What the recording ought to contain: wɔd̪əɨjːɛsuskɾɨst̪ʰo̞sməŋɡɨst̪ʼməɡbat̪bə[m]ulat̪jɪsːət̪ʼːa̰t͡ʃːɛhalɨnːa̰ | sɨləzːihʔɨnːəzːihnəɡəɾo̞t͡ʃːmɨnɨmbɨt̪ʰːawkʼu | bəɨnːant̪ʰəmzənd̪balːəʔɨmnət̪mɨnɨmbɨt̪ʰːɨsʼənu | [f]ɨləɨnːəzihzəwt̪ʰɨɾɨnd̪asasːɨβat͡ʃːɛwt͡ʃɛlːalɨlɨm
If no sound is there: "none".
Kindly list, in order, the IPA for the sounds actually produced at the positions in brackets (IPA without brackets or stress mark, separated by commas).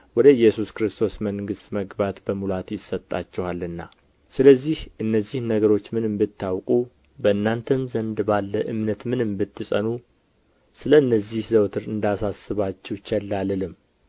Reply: m, s